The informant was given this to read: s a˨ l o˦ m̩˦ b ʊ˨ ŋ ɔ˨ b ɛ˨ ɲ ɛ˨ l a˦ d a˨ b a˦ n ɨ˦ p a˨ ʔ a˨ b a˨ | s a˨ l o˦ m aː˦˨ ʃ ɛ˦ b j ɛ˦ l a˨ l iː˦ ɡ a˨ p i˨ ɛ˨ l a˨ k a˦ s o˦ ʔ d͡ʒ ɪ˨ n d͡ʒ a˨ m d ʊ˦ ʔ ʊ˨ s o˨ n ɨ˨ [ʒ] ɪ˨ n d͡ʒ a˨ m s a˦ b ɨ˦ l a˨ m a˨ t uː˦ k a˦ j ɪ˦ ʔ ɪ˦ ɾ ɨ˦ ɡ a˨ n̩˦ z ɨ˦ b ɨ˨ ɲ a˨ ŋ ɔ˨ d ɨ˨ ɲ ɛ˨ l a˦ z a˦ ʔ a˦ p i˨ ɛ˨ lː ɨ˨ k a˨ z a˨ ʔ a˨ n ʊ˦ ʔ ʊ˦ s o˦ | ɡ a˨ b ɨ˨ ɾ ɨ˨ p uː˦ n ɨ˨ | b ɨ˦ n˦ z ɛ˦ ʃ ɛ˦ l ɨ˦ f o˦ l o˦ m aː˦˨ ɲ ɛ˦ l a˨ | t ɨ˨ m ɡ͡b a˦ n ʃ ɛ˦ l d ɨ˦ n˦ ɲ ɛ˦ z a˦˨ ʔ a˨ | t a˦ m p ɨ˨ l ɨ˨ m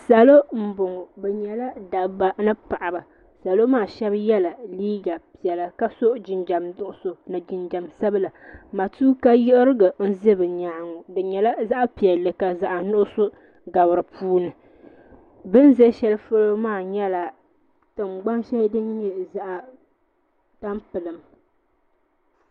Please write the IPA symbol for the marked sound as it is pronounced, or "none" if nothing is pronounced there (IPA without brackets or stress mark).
d͡ʒ